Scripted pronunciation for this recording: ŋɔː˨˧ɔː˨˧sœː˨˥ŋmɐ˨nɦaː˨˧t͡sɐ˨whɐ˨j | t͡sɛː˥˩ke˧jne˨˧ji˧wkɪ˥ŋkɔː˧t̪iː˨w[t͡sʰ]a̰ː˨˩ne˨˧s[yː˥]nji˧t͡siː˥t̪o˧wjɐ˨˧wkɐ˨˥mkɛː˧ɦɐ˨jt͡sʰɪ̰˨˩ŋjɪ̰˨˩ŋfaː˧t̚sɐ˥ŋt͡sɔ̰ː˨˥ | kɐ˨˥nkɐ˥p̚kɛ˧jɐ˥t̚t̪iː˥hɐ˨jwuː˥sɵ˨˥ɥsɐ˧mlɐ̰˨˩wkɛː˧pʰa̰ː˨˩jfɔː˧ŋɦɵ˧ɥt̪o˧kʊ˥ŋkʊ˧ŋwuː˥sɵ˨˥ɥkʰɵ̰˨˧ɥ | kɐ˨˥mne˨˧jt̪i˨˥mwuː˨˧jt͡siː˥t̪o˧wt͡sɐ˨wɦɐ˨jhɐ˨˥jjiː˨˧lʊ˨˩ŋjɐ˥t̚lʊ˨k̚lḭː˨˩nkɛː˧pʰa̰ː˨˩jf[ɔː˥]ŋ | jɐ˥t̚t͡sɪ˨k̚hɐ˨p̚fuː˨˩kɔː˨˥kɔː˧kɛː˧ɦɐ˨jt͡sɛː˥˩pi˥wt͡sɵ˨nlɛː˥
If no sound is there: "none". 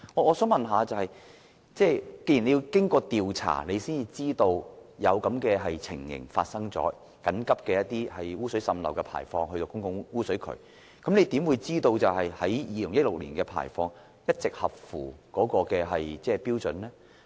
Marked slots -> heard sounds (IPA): t͡sʰ, iː˥, ɔː˧

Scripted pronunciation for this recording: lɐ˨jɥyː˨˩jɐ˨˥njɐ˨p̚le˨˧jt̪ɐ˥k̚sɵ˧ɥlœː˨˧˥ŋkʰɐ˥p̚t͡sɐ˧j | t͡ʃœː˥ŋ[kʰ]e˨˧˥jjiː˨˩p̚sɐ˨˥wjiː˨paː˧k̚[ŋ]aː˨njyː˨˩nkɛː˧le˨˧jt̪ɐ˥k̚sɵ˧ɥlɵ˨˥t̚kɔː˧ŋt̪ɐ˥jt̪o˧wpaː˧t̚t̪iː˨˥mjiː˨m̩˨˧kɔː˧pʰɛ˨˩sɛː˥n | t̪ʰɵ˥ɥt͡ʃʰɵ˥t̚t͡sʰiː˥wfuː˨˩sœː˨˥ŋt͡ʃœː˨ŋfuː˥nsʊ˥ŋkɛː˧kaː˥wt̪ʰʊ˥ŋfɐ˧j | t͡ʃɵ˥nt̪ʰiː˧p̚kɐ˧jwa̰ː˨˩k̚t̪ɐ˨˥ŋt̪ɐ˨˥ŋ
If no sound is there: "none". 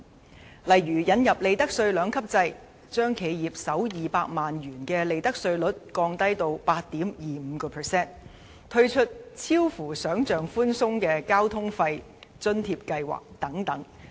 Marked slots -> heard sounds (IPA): kʰ, m

